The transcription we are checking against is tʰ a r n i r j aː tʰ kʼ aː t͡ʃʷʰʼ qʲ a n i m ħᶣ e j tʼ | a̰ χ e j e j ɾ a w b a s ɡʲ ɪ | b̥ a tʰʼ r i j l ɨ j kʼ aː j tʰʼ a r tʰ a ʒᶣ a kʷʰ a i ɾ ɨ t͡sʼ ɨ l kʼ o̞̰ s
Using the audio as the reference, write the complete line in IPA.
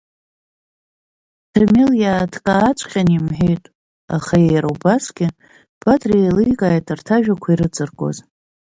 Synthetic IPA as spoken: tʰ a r m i l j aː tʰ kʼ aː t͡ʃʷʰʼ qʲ a n i m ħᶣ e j tʼ | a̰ χ a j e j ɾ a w b a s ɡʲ ɪ | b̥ a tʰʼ r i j l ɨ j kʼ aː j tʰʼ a r tʰ a ʒᶣ a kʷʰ a i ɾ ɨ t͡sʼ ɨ r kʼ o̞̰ z